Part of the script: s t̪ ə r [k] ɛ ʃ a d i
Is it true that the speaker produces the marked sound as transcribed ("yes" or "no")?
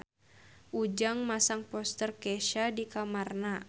yes